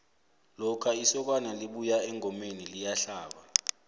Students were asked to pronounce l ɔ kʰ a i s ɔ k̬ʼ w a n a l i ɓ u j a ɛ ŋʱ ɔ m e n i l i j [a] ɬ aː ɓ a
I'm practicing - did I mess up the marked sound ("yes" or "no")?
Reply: no